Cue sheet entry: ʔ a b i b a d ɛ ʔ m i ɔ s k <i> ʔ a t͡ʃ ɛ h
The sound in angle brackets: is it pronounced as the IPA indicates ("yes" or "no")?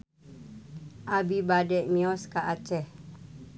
no